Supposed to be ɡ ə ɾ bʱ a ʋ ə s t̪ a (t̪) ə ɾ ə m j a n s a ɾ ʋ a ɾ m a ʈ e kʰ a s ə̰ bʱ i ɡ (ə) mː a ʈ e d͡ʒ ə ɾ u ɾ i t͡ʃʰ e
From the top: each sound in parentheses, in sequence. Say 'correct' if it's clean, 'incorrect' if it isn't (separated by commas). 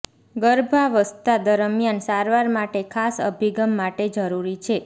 incorrect, correct